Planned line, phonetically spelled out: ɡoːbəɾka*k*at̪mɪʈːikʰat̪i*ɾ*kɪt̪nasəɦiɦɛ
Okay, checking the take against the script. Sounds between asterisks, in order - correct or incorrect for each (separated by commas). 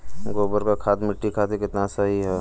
incorrect, incorrect